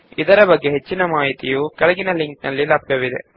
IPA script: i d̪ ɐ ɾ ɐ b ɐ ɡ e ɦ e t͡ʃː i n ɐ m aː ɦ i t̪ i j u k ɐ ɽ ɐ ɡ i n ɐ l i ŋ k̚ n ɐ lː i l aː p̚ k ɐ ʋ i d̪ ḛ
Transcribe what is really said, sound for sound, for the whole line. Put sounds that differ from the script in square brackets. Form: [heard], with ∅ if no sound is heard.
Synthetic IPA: i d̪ ɐ ɾ ɐ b ɐ [ɡː] e ɦ e t͡ʃː i n ɐ m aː ɦ i t̪ i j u k ɐ [ɭ] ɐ ɡ i n ɐ l i ŋ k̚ n ɐ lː i l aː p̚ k ɐ ʋ i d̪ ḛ